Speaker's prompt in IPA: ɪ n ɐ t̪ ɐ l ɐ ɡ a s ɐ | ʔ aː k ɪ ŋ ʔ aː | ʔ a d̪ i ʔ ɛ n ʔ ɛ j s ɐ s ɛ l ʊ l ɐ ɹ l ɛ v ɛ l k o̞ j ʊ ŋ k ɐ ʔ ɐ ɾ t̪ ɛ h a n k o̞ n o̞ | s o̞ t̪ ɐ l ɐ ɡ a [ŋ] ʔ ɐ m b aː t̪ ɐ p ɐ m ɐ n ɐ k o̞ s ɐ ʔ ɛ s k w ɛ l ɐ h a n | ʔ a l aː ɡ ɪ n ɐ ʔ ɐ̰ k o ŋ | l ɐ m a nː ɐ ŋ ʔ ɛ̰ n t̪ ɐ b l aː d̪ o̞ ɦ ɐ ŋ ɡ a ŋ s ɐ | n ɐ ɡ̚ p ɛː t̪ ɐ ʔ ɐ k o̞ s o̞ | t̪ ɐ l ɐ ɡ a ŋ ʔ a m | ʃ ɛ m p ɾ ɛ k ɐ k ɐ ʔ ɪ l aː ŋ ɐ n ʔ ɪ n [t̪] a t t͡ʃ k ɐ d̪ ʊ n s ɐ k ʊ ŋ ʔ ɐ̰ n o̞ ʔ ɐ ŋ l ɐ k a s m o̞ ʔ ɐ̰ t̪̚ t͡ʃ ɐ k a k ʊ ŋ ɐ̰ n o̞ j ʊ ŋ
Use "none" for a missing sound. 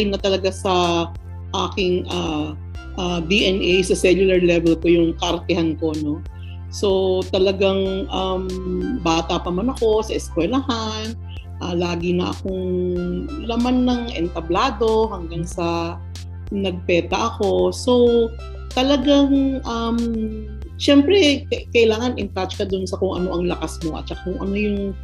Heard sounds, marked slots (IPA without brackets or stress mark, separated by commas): ŋ, t̪